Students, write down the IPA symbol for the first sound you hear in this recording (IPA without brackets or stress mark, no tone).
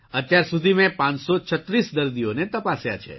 ə